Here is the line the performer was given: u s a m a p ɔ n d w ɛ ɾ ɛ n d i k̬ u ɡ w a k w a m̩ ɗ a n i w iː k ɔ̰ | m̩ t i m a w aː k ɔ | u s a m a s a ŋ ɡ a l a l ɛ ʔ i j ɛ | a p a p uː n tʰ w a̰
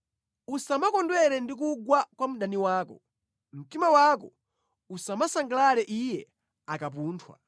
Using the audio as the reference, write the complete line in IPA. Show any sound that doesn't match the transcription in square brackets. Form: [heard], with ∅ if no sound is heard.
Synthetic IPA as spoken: u s a m a [k] ɔ n d w ɛ ɾ ɛ n d i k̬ u ɡ w a k w a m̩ ɗ a n i w [aː] k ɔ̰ | m̩ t i m a w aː k ɔ | u s a m a s a ŋ ɡ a l a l ɛ ʔ i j ɛ | a [k] a p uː n tʰ w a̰